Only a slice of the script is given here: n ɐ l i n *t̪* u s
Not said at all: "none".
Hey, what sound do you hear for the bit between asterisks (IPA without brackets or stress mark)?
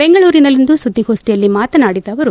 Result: d̪